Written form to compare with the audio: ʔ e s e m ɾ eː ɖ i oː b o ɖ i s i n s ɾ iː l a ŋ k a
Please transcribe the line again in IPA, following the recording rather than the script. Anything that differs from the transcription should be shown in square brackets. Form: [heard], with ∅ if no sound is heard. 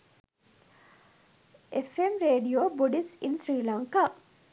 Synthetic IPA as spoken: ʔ e [f] e m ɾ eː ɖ i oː b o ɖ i s i n s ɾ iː l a ŋ k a